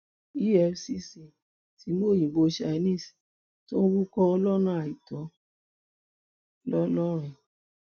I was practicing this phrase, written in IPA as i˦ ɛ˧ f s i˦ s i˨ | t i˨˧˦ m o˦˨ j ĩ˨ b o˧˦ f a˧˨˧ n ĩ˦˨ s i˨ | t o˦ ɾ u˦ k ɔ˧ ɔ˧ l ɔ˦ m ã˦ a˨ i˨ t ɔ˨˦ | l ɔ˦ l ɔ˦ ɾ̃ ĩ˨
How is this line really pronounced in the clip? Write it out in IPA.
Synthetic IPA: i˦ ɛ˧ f s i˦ s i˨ | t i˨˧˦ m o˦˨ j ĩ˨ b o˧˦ ʃ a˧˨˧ n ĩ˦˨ s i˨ | t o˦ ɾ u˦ k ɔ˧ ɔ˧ l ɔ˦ n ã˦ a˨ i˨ t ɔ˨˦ | l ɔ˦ l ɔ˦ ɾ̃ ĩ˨